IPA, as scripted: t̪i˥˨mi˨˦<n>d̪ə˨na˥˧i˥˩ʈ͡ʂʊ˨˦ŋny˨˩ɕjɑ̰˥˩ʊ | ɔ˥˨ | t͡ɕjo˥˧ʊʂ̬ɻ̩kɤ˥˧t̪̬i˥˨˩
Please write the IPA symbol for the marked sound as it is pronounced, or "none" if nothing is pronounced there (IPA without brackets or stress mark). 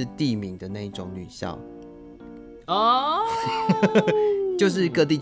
ŋ